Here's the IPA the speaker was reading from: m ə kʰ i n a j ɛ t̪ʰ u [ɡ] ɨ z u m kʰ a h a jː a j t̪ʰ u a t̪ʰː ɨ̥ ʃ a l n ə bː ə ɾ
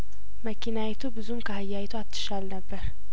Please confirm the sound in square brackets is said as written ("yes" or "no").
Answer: no